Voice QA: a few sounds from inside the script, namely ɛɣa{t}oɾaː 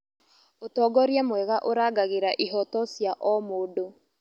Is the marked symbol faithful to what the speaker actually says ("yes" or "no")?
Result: no